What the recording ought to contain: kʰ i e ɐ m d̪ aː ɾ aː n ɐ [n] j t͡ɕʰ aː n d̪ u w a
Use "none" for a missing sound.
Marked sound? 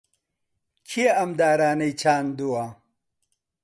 none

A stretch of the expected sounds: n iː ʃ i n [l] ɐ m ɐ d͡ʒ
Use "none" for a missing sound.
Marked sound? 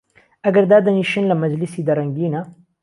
l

